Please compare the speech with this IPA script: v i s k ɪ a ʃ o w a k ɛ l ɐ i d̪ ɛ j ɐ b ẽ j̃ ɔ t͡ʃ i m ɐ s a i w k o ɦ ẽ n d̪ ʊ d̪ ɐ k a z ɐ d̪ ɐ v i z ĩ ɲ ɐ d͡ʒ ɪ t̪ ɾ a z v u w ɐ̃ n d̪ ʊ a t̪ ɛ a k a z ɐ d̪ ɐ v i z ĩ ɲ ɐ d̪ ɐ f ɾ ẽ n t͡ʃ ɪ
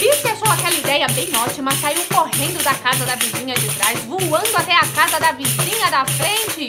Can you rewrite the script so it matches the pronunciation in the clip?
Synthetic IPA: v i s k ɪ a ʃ o w a k ɛ l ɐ i d̪ ɛ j ɐ b ẽ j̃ ɔ t͡ʃ i m ɐ s a i w k o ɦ ẽ n d̪ ʊ d̪ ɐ k a z ɐ d̪ ɐ v i z ĩ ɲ ɐ d͡ʒ ɪ t̪ ɾ a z v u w ɐ̃ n d̪ ʊ a t̪ ɛ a k a z ɐ d̪ ɐ v i z ĩ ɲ ɐ d̪ ɐ f ɾ ẽ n t͡ʃ ɪ